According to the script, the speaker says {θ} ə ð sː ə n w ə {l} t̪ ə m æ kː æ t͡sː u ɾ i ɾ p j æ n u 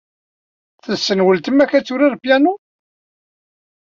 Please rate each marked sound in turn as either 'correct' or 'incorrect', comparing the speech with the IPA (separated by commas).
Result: correct, correct